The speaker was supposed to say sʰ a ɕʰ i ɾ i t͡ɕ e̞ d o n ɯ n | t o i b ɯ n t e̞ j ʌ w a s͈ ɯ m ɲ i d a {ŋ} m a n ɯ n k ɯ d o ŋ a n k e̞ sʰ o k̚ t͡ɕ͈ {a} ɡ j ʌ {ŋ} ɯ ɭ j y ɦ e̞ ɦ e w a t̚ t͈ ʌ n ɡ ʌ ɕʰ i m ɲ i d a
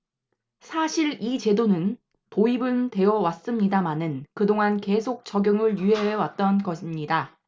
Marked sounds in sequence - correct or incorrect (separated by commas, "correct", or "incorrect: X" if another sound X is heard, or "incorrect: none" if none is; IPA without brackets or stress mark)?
incorrect: none, incorrect: ʌ, correct